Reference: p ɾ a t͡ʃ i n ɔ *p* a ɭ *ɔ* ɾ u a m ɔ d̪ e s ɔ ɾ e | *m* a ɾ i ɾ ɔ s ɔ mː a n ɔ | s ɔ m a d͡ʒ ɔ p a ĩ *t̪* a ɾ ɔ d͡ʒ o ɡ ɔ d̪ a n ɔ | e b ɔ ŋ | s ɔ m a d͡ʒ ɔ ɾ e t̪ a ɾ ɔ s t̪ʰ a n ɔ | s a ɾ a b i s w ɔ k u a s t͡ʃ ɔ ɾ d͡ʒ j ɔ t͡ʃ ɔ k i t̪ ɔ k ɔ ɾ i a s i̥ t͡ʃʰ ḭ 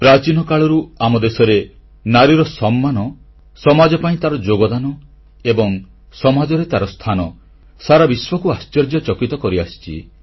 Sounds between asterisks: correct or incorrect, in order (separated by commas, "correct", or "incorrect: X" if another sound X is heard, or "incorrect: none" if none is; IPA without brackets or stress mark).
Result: incorrect: k, correct, incorrect: n, correct